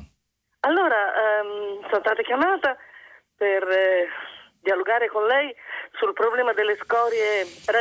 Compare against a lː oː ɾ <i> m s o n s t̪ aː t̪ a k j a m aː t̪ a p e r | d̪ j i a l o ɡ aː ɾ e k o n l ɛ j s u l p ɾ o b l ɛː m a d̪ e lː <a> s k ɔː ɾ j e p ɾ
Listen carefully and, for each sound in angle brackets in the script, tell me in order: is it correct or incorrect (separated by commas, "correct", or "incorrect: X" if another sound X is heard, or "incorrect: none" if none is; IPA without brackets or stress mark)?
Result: incorrect: a, incorrect: e